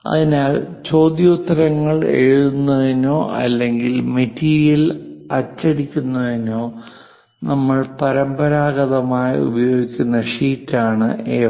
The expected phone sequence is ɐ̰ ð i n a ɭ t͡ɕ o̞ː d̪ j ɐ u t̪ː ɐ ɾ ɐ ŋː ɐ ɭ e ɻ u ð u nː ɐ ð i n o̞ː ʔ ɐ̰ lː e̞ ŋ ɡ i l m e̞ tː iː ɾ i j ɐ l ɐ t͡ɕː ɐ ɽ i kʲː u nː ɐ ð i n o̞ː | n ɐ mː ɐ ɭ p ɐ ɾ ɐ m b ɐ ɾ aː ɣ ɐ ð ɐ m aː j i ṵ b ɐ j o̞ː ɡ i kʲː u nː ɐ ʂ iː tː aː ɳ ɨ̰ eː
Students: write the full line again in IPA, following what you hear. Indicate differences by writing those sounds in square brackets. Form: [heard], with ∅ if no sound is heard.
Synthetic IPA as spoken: ɐ̰ ð i n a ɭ t͡ɕ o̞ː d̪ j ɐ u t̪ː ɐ ɾ ɐ ŋː ɐ ɭ e ɻ u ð u nː ɐ ð i n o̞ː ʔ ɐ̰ lː e̞ ŋ ɡ i l m e̞ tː iː ɾ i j ɐ l ɐ t͡ɕː ɐ ɽ i kʲː u nː ɐ ð i n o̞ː | n ɐ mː ɐ ɭ p ɐ ɾ ɐ m b ɐ ɾ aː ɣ ɐ ð ɐ m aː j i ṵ b ɐ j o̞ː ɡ i kʲː u nː ɐ ʂ iː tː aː ɳ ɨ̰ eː